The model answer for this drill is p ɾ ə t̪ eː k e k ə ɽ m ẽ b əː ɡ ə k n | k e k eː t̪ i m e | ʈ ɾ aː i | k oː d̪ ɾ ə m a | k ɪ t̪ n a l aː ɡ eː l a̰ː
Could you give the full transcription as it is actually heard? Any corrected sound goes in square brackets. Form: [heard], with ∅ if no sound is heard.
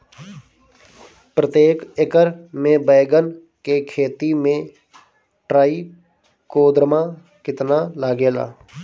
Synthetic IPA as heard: p ɾ ə t̪ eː k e k ə [ɾ] m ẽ b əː ɡ ə [∅] n | k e [kʰ] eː t̪ i m [ẽ] | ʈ ɾ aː i | k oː d̪ ɾ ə m a | k ɪ t̪ n a l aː ɡ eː l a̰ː